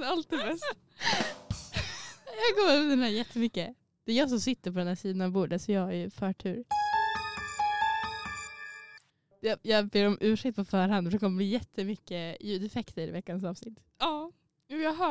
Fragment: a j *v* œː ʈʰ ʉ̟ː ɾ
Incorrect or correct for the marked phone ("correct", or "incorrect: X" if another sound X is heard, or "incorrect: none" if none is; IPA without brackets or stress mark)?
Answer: incorrect: f